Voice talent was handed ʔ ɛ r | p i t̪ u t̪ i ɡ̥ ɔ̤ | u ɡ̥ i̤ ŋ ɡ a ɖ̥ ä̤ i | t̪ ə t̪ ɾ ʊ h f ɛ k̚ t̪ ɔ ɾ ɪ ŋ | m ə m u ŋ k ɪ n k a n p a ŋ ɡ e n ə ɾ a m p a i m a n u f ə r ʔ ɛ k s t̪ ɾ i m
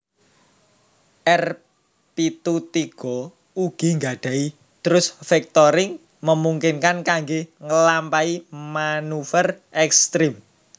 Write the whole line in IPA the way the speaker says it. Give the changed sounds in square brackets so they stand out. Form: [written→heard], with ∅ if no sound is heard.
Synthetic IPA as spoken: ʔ ɛ r | p i t̪ u t̪ i ɡ̥ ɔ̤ | u ɡ̥ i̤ ŋ ɡ a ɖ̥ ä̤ i | t̪ ə [t̪→∅] ɾ ʊ [h→s] f ɛ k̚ t̪ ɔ ɾ ɪ ŋ | m ə m u ŋ k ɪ n k a n [p→k] a ŋ ɡ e [n→ŋ] ə [ɾ→l] a m p a i m a n u f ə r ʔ ɛ k s t̪ ɾ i m